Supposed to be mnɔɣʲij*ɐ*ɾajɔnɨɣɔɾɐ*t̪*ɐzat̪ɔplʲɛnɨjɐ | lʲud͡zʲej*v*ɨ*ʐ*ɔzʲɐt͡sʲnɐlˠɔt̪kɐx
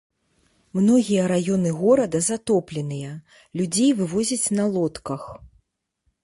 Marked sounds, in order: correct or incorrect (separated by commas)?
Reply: correct, incorrect, correct, incorrect